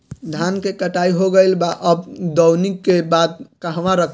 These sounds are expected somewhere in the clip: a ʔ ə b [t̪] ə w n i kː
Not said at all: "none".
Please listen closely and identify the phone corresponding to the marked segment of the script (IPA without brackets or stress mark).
d̪